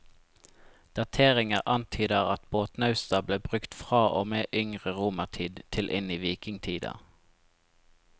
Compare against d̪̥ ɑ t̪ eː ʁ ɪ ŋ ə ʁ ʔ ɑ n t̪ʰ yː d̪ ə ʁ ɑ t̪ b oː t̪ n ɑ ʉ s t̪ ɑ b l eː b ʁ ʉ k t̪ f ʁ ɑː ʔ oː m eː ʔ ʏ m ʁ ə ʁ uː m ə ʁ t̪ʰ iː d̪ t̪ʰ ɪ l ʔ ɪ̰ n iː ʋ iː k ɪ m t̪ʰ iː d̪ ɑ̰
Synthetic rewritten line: d̪̥ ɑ t̪ʰ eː ʁ ɪ ŋ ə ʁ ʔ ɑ n t̪ʰ yː d̪ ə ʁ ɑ t̪ b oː t̪ n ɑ ʉ s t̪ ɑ b l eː b ʁ ʉ k t̪ f ʁ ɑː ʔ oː m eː ʔ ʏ ŋ ʁ ə ʁ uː m ə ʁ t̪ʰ iː d̪ t̪ʰ ɪ l ʔ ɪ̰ n iː ʋ iː k ɪ ŋ t̪ʰ iː d̪ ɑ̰